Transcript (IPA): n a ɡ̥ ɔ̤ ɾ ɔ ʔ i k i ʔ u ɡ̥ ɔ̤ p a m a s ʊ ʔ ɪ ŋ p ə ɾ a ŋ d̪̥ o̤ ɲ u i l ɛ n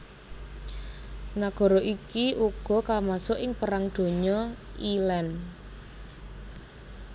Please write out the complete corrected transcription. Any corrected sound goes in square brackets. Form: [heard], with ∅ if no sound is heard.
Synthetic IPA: n a ɡ̥ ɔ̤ ɾ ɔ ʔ i k i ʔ u ɡ̥ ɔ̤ [k] a m a s ʊ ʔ ɪ ŋ p ə ɾ a ŋ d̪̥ o̤ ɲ [ɔ] i l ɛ n